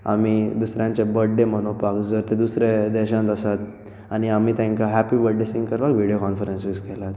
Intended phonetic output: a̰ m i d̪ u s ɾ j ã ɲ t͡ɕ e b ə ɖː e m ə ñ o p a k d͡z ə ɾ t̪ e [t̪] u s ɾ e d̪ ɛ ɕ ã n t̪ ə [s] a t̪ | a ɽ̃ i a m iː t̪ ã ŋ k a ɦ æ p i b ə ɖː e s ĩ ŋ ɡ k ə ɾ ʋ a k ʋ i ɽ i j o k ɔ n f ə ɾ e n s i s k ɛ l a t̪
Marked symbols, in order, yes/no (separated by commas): no, yes